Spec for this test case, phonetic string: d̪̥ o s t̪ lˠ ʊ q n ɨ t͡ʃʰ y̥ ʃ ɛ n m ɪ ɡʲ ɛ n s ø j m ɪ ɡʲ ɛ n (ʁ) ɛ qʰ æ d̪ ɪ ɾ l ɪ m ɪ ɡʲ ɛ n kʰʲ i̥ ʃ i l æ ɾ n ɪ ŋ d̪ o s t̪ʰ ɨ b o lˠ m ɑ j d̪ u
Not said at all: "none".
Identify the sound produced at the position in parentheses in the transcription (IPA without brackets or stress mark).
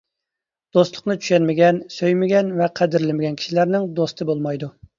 v